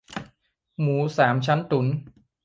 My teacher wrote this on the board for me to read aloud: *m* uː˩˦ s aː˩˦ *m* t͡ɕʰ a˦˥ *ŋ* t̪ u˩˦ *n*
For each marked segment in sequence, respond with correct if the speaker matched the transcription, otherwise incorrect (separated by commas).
correct, correct, incorrect, correct